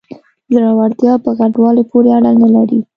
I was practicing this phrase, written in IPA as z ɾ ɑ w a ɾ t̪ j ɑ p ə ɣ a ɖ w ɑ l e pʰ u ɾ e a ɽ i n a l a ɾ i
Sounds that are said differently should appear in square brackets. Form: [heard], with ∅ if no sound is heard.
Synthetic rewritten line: z ɾ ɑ w a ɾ t̪ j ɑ p ə ɣ a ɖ w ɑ l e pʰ [o] ɾ e a ɽ [a] n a l a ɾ i